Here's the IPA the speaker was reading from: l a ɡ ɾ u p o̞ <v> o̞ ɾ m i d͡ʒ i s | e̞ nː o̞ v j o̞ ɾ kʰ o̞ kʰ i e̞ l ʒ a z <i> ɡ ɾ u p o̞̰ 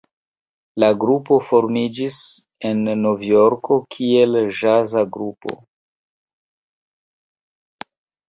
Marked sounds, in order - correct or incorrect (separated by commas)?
incorrect, incorrect